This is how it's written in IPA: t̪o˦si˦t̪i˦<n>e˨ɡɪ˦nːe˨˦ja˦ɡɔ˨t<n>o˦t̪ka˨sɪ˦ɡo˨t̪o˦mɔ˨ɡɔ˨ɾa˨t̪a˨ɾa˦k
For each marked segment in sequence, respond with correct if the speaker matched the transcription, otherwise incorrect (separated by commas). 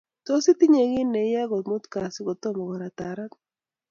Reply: incorrect, incorrect